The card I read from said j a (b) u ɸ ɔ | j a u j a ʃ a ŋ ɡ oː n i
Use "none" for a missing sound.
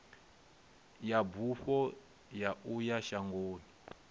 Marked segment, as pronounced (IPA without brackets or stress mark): b